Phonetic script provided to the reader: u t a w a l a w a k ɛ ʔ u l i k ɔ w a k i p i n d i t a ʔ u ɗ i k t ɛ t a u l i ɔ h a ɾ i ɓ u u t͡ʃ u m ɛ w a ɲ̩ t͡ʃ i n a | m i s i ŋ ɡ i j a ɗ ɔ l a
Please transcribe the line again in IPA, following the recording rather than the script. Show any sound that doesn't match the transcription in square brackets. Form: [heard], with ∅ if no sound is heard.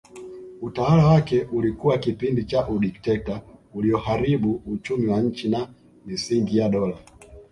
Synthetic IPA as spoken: u t a w a l a w a k ɛ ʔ u l i k [u] w a k i p i n d i [t͡ʃ] a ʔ u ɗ i k t ɛ t a u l i ɔ h a ɾ i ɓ u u t͡ʃ u m [i] w a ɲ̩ t͡ʃ i n a | m i s i ŋ ɡ i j a ɗ ɔ l a

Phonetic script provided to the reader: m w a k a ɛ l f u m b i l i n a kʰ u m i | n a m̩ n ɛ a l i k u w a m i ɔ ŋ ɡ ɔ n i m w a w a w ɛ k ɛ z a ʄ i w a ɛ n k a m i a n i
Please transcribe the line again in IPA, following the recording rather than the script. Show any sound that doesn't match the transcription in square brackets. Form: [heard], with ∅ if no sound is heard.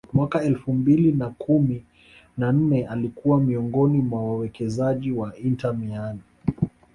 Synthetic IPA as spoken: m w a k a ɛ l f u m b i l i n a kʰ u m i | n a [n̩] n ɛ a l i k u w a m i ɔ ŋ ɡ ɔ n i m w a w a w ɛ k ɛ z a ʄ i w a [i] n [t] a m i a n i

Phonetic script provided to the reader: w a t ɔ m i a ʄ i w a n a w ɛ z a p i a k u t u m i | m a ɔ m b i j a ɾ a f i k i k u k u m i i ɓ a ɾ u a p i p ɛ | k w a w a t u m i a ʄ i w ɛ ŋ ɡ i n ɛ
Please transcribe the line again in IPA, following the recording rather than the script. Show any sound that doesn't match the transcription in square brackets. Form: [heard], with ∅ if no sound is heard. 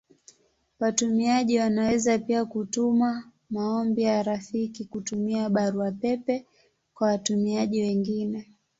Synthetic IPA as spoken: w a t [u] m i a ʄ i w a n a w ɛ z a p i a k u t u m [a] | m a ɔ m b i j a ɾ a f i k i k u [t] u m i [a] ɓ a ɾ u a p [ɛ] p ɛ | k w a w a t u m i a ʄ i w ɛ ŋ ɡ i n ɛ

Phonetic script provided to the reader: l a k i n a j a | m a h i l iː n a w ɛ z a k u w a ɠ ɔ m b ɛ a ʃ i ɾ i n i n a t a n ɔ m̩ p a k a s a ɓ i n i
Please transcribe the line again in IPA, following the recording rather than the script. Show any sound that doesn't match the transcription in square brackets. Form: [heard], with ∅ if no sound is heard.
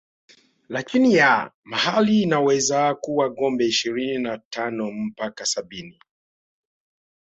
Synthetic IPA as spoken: l a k i n [i] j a | m a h [a] l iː n a w ɛ z a k u w a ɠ ɔ m b ɛ [i] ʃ i ɾ i n i n a t a n ɔ m̩ p a k a s a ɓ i n i

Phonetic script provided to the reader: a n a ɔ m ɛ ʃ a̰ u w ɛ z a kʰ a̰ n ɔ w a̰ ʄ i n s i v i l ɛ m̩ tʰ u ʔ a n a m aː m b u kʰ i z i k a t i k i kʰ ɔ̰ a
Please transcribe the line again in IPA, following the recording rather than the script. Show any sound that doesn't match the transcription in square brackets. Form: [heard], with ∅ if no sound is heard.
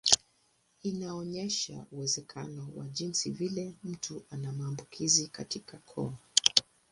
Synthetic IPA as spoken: [i] n a ɔ [ɲ] ɛ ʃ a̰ u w ɛ z [ɛ] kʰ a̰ n ɔ w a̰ ʄ i n s i v i l ɛ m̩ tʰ u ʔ a n a m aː m b u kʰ i z i k a t i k [a] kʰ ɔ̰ a

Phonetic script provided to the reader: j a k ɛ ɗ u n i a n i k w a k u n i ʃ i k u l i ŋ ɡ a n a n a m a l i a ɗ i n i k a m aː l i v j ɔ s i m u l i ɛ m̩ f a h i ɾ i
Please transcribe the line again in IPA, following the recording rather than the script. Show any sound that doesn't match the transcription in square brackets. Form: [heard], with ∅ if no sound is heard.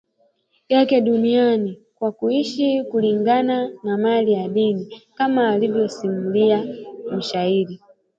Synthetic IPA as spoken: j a k ɛ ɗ u n i a n i k w a k u [∅] i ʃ i k u l i ŋ ɡ a n a n a m a l i a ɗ i n i k a m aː l i v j ɔ s i m u l i [a] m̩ [ʃ] a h i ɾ i

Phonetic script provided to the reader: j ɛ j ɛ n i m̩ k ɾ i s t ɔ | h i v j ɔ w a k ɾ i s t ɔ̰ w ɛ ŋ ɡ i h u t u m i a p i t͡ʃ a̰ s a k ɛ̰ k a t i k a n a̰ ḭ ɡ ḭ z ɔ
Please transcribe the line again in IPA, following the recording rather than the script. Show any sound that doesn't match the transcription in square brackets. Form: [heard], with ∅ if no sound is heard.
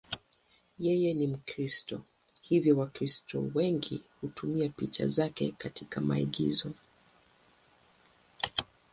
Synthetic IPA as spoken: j ɛ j ɛ n i m̩ k ɾ i s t ɔ | h i v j ɔ w a k ɾ i s t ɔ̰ w ɛ ŋ ɡ i h u t u m i a p i t͡ʃ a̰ [z] a k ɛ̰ k a t i k a [m] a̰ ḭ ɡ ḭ z ɔ

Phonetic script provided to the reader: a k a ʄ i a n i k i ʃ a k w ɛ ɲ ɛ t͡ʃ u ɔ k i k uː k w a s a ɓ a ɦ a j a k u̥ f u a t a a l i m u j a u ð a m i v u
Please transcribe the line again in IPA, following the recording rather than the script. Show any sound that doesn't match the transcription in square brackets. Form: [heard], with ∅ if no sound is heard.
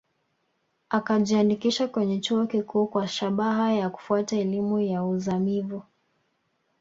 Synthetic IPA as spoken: a k a ʄ i a n i k i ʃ a k w ɛ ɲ ɛ t͡ʃ u ɔ k i k uː k w a [ʃ] a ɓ a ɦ a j a k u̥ f u a t a [ɛ] l i m u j a u [z] a m i v u

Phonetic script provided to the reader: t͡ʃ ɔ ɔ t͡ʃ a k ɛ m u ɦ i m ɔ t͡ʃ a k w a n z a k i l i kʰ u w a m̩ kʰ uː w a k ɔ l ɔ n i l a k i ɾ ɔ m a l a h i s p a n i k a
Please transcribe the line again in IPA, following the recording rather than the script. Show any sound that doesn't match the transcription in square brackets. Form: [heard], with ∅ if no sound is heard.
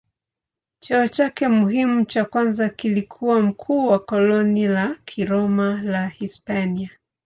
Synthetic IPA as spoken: t͡ʃ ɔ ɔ t͡ʃ a k ɛ m u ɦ i m [u] t͡ʃ a k w a n z a k i l i kʰ u w a m̩ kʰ uː w a k ɔ l ɔ n i l a [kʰ] i ɾ ɔ m a l a h i s p a n i [∅] a

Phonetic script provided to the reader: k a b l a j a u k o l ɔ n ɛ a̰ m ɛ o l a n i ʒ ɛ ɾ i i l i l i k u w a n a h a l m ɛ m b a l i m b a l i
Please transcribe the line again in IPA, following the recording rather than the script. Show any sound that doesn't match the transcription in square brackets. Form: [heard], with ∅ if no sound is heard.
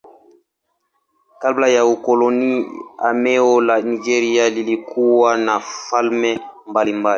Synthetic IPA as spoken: k a b l a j a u k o l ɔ n [i] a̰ m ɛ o l a n i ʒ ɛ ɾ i [a] l i l i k u w a n a [f] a l m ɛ m b a l i m b a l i

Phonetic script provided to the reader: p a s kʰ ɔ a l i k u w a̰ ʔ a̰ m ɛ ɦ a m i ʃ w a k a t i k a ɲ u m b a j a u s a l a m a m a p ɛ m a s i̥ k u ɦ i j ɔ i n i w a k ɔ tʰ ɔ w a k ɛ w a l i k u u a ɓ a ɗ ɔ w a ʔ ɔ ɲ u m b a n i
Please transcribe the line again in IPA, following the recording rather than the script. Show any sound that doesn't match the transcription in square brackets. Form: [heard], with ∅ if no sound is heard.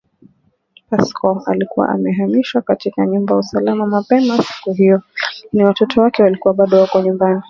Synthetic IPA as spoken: p a s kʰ ɔ a l i k u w a̰ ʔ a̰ m ɛ ɦ a m i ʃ w a k a t i k a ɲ u m b a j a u s a l a m a m a p ɛ m a s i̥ k u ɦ i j ɔ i n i w a [t] ɔ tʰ ɔ w a k ɛ w a l i k u [w] a ɓ a ɗ ɔ w a [k] ɔ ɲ u m b a n i

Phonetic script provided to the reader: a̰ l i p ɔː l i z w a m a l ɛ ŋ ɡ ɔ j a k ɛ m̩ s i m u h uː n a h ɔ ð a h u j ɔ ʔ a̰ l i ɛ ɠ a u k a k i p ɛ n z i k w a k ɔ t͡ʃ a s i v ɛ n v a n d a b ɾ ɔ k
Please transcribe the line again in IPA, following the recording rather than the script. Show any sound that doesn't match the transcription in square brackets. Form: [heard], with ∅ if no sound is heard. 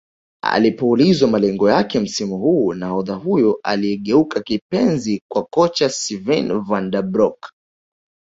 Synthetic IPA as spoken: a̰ l i p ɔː l i z w a m a l ɛ ŋ ɡ ɔ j a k ɛ m̩ s i m u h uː n a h ɔ ð a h u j ɔ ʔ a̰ l i ɛ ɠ [ɛ] u k a k i p ɛ n z i k w a k ɔ t͡ʃ a s i v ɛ n v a n d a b ɾ ɔ k

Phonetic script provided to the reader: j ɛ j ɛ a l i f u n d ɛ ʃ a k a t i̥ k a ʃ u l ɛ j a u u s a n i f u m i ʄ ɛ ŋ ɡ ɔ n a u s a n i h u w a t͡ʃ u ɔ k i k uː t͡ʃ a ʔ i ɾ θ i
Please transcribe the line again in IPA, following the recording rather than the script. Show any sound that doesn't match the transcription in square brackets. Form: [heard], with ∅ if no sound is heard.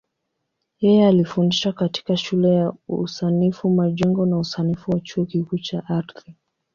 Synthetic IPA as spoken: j ɛ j ɛ a l i f u n d [i] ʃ a k a t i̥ k a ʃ u l ɛ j a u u s a n i f u m [a] ʄ ɛ ŋ ɡ ɔ n a u s a n i [f] u w a t͡ʃ u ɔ k i k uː t͡ʃ a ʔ [a] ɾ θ i

